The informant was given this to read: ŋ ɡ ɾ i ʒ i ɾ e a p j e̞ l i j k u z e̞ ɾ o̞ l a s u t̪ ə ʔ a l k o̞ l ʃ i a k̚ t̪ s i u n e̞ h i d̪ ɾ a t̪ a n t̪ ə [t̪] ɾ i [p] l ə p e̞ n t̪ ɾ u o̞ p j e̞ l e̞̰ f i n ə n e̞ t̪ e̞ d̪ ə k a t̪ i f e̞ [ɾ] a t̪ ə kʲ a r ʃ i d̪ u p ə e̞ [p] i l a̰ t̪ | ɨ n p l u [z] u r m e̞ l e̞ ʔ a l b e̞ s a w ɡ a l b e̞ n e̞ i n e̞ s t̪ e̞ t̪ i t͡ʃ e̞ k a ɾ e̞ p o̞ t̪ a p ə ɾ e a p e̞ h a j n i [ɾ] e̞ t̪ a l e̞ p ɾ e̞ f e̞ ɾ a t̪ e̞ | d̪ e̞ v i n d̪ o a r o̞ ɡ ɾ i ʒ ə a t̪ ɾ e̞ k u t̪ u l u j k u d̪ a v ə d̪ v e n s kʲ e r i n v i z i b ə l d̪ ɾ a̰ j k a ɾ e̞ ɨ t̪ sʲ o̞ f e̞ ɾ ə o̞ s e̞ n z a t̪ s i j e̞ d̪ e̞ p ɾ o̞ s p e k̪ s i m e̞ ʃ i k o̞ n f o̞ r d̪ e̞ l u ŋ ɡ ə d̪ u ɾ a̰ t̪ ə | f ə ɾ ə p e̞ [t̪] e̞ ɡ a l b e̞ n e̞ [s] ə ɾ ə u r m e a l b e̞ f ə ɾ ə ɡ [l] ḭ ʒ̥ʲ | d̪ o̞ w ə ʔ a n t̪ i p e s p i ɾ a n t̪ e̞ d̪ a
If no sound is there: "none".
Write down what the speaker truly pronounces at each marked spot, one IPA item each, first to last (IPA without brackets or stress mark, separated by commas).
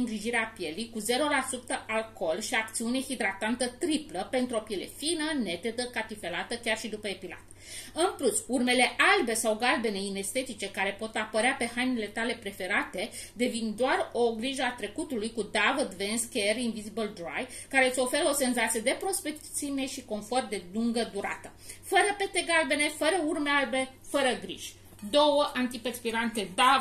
t̪, p, l, p, s, l, t̪, f, ɾ